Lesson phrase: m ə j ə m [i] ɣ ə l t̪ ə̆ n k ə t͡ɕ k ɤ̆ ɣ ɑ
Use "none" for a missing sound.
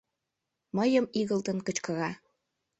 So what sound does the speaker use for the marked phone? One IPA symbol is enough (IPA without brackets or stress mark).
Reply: i